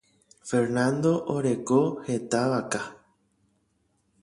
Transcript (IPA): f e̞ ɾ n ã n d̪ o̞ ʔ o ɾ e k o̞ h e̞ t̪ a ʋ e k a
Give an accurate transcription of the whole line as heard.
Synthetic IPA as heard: f e̞ ɾ n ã n d̪ o̞ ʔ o ɾ e k o̞ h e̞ t̪ a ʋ a k a